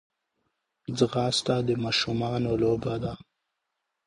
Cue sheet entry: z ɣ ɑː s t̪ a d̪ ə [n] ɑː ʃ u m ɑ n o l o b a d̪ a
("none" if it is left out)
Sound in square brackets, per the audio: m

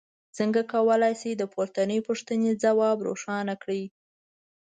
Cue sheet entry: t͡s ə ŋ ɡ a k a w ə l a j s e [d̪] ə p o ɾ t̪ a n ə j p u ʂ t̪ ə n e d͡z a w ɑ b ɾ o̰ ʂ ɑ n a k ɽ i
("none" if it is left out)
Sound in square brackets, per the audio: d̪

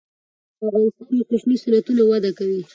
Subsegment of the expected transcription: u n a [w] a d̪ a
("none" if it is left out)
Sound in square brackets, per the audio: w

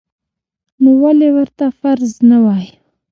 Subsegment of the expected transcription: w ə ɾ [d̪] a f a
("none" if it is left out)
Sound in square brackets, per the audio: t̪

